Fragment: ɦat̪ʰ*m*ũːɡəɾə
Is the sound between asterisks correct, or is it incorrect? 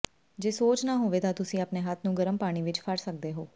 incorrect: n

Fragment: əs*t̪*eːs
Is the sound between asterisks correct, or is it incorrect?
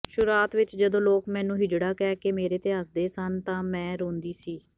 incorrect: d̪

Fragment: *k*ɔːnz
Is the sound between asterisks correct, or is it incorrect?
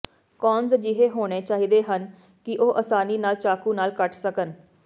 correct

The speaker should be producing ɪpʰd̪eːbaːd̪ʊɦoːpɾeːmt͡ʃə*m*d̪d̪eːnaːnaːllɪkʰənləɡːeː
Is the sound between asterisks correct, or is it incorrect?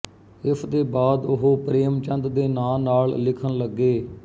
incorrect: n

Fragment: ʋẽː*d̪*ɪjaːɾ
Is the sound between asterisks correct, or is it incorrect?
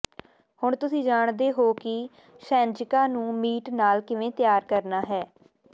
incorrect: t̪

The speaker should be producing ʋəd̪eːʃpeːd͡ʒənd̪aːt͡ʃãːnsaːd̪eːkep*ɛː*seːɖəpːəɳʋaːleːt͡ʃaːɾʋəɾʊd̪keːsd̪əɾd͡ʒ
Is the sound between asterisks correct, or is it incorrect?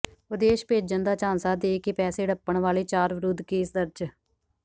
correct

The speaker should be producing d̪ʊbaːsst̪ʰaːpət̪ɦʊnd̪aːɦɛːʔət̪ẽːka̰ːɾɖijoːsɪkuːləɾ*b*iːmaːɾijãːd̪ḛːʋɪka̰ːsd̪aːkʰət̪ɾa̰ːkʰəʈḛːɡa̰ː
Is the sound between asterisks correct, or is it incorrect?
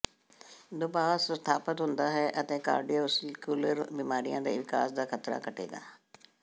correct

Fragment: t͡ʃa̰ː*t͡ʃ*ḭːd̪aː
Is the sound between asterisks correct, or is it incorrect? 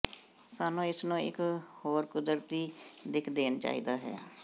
incorrect: none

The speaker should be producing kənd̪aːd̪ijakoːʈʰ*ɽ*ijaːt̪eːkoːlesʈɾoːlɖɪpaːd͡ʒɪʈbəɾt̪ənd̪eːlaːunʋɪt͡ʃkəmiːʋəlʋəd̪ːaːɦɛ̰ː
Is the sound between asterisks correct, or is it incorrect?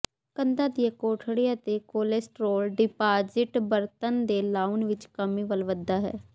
correct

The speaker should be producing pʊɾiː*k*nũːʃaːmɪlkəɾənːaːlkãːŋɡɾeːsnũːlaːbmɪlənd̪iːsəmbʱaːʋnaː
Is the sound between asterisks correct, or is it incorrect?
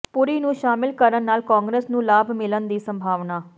incorrect: none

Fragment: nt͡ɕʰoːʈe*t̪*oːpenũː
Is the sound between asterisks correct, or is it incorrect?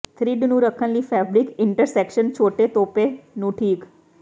correct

